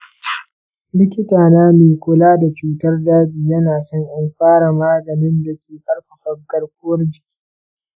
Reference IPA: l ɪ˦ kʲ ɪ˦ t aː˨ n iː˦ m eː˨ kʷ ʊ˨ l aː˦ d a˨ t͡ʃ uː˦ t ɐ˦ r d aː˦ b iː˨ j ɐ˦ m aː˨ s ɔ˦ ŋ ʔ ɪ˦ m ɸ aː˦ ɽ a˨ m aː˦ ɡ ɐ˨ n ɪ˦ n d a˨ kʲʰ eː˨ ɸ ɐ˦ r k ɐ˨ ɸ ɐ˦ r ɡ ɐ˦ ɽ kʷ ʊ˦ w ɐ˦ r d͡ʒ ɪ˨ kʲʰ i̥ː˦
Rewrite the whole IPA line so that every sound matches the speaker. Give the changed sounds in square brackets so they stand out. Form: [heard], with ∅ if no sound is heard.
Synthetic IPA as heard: l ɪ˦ kʲ ɪ˦ t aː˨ n [aː˦] m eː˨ kʷ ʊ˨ l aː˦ d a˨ t͡ʃ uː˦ t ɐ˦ r d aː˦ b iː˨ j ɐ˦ [n] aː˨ s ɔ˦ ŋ ʔ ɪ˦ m ɸ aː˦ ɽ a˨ m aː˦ ɡ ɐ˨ n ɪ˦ n d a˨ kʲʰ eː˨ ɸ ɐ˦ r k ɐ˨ ɸ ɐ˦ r ɡ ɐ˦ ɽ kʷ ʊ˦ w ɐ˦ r d͡ʒ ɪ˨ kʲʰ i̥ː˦